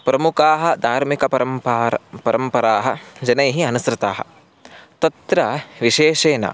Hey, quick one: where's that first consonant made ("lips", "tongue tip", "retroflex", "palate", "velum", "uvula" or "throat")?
lips